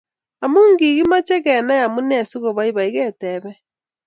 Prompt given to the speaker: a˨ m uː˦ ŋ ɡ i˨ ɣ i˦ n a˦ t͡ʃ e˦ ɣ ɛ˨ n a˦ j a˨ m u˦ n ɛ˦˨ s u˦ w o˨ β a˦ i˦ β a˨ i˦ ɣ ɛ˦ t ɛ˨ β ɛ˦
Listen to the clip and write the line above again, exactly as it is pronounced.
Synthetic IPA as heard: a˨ m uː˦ ŋ ɡ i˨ ɣ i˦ m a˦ t͡ʃ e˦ ɣ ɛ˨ n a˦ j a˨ m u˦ n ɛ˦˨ s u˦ ɣ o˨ β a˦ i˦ β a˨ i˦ ɣ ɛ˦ t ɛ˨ β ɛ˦